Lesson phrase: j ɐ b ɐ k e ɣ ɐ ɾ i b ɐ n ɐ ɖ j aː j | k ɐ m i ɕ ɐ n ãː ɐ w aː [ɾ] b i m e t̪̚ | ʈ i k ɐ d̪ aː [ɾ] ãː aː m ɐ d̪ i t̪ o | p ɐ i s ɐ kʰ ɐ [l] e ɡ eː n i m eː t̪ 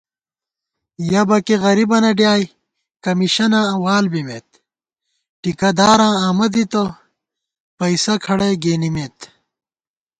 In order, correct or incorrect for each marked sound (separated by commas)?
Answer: incorrect, correct, incorrect